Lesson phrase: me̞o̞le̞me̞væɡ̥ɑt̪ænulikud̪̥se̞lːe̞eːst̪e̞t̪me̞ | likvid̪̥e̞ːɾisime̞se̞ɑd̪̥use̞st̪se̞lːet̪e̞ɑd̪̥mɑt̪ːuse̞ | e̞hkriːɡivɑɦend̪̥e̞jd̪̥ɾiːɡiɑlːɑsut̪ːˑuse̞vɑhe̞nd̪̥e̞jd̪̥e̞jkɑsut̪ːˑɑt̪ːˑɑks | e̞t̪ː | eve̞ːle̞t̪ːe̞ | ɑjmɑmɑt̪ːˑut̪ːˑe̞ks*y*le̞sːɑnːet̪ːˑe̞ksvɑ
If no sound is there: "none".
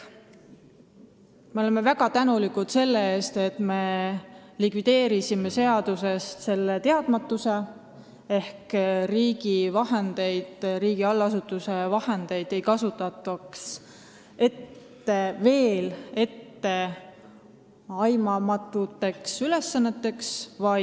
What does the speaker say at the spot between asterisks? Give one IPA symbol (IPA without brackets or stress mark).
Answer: y